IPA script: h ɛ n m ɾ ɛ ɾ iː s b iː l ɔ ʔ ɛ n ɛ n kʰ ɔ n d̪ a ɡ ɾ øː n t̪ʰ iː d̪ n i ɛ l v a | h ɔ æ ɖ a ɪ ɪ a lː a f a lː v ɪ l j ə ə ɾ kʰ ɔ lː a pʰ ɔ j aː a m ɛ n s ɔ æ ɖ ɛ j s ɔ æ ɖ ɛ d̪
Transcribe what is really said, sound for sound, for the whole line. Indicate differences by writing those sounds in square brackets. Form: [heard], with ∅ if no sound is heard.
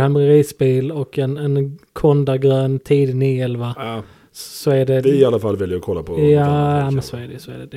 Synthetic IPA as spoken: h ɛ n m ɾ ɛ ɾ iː s b iː l ɔ [k] ɛ n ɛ n kʰ ɔ n d̪ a ɡ ɾ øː n t̪ʰ iː d̪ n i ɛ l v a | [s] ɔ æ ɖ [ɛ] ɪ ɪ a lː a f a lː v ɪ l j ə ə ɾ kʰ ɔ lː a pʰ ɔ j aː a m ɛ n s ɔ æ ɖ ɛ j s ɔ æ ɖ ɛ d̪